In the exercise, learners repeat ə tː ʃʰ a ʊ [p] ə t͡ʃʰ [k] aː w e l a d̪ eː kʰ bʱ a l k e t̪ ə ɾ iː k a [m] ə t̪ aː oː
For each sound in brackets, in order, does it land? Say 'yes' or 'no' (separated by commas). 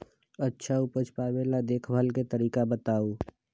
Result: yes, no, no